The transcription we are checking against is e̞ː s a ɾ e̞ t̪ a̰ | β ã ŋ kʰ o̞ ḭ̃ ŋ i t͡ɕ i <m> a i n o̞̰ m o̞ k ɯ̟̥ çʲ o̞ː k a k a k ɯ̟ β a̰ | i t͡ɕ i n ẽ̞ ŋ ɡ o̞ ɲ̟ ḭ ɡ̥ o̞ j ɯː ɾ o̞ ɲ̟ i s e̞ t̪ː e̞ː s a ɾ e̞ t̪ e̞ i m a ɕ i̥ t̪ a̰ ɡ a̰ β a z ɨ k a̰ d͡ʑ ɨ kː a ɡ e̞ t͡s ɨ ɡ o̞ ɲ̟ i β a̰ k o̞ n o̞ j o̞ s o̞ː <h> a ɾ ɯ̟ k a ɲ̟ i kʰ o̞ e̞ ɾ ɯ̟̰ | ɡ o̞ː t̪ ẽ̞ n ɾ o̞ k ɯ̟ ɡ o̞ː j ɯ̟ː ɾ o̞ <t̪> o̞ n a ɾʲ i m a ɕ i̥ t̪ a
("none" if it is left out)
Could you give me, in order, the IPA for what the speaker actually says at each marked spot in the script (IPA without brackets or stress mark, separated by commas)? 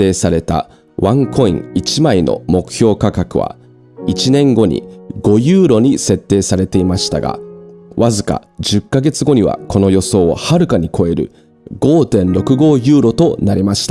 m, h, t̪